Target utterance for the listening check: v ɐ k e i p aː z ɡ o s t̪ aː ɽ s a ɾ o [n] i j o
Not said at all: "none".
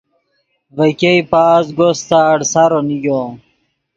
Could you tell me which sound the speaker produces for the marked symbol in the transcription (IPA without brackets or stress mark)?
n